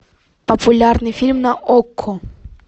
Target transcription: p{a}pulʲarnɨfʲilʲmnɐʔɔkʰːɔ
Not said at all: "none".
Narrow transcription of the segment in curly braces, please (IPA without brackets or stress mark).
ɐ